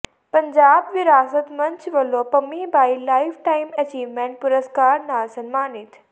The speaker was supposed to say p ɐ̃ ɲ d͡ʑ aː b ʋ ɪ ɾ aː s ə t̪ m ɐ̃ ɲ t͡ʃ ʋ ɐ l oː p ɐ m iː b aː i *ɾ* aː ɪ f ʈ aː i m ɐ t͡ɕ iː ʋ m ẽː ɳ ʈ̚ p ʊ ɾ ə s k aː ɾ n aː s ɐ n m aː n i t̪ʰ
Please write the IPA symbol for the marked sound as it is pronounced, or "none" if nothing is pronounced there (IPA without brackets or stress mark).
l